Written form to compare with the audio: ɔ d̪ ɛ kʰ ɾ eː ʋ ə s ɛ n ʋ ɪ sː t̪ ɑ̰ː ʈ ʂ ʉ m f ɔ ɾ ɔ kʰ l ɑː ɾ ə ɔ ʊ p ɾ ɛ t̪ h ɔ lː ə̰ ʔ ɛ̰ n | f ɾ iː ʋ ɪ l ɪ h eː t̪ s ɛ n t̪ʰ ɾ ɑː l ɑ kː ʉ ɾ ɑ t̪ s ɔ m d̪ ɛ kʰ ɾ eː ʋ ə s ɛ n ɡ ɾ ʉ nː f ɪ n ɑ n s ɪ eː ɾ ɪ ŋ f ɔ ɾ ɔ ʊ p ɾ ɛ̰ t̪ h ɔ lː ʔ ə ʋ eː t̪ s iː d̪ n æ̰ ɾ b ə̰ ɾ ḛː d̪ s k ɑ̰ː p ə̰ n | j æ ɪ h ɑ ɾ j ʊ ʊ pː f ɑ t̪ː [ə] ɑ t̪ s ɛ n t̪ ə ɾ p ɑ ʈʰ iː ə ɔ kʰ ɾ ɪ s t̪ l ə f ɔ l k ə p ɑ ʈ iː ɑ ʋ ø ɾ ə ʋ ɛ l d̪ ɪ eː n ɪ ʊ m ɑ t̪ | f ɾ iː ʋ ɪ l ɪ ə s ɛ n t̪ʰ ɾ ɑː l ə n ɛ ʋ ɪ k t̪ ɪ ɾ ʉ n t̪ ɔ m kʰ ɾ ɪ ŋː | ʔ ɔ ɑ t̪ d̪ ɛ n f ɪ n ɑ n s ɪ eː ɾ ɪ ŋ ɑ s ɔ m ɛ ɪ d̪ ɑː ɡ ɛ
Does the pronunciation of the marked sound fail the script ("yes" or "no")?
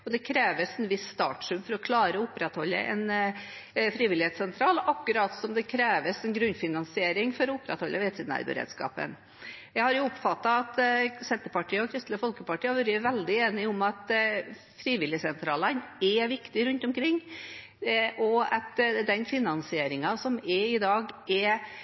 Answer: yes